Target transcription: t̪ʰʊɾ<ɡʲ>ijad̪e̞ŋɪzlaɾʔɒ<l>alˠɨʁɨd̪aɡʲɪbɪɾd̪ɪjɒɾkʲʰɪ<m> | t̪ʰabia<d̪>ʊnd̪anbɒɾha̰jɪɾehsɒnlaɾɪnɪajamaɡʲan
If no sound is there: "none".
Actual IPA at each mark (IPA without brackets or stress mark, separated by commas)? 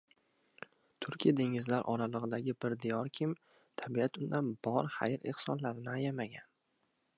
kʲ, ɾ, m, t̪